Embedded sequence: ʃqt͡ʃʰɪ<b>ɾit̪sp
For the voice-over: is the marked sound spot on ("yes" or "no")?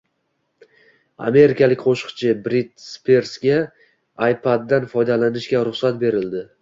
yes